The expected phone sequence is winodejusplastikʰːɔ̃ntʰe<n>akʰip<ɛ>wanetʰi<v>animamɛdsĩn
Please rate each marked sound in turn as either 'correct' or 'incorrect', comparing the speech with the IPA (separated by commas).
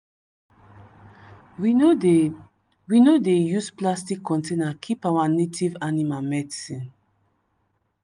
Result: correct, incorrect, correct